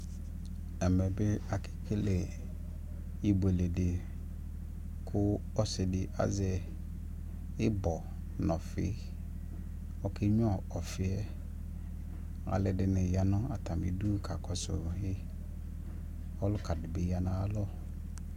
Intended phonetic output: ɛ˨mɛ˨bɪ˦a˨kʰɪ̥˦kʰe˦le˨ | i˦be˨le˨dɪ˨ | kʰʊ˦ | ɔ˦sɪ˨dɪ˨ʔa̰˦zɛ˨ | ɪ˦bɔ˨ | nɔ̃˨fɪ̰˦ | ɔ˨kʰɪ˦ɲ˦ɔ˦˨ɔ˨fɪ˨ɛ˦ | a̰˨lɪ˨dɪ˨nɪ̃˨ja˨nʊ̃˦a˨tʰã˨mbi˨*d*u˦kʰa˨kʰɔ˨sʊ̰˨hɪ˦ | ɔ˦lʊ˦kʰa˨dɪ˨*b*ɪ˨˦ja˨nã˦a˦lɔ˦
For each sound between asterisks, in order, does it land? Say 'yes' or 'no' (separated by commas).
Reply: yes, yes